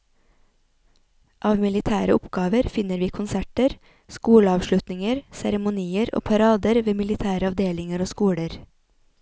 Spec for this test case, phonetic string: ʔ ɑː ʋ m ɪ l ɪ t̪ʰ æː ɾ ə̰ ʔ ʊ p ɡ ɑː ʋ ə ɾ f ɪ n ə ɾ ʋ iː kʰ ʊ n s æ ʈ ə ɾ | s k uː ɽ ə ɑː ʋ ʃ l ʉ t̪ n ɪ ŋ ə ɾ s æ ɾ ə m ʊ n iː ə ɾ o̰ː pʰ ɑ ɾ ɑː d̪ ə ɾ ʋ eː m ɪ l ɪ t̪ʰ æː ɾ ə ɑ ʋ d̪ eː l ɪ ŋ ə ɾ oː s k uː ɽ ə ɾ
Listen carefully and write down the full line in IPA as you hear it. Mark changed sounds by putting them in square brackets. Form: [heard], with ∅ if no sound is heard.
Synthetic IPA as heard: ʔ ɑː ʋ m ɪ l ɪ t̪ʰ æː ɾ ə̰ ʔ ʊ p ɡ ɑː ʋ ə ɾ f ɪ n ə ɾ ʋ iː kʰ ʊ n s æ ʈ ə ɾ | s k uː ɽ ə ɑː ʋ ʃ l ʉ t̪ n ɪ ŋ ə ɾ s æ ɾ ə m ʊ n iː ə ɾ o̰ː pʰ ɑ ɾ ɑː d̪ ə ɾ ʋ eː m ɪ l ɪ t̪ʰ æː ɾ ə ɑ ʋ d̪ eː l ɪ ŋ ə ɾ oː s k uː ɽ ə ɾ